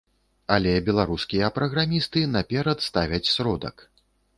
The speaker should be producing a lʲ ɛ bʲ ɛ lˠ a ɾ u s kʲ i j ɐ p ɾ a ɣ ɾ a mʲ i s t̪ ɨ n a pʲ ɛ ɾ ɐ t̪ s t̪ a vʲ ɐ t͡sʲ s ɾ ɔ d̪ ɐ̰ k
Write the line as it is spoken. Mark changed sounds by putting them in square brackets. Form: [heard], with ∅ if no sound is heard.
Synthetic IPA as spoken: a lʲ ɛ bʲ ɛ lˠ a ɾ u s kʲ i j ɐ p ɾ [ɐ] ɣ ɾ a mʲ i s t̪ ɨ n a pʲ ɛ ɾ ɐ t̪ s t̪ a vʲ ɐ t͡sʲ s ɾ ɔ d̪ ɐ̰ k